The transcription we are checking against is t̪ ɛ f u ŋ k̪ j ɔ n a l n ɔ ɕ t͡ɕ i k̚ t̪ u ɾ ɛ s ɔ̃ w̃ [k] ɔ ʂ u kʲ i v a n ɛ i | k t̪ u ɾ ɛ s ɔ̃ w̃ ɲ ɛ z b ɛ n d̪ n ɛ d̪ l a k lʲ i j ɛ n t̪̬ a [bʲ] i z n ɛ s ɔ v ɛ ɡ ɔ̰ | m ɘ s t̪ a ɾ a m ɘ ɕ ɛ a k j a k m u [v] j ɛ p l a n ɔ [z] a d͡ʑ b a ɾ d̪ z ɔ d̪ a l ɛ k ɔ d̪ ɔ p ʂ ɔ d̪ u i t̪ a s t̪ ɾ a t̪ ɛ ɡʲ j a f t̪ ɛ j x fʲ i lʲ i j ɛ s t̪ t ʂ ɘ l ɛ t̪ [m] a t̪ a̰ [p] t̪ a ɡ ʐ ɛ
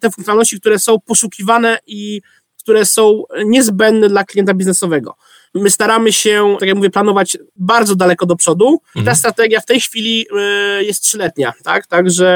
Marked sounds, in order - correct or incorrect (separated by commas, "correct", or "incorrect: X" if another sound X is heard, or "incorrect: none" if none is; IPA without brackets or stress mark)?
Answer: incorrect: p, correct, correct, incorrect: v, incorrect: ɲ, incorrect: k